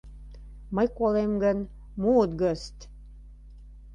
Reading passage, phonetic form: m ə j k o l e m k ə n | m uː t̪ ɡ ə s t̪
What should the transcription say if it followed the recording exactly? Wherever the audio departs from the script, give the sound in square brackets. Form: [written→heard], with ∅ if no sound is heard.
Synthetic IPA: m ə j k o l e m [k→ɡ] ə n | m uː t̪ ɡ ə s t̪